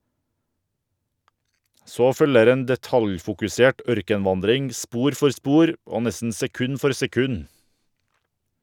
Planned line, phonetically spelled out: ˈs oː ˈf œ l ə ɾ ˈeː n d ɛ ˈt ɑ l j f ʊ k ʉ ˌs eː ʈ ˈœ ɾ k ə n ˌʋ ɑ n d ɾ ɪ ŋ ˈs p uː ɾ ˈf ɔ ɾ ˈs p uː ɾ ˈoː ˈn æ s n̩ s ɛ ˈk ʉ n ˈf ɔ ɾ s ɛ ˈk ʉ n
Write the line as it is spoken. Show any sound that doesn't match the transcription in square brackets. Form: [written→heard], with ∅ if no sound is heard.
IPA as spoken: ˈs oː ˈf œ l ə ɾ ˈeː n d ɛ ˈt ɑ l j f ʊ k ʉ ˌs eː ʈ ˈœ ɾ k ə n ˌʋ ɑ n d ɾ ɪ ŋ ˈs p uː ɾ ˈf ɔ ɾ ˈs p uː ɾ ˈoː ˈn [æ→ɛ] s n̩ s ɛ ˈk ʉ n ˈf ɔ ɾ s ɛ ˈk ʉ n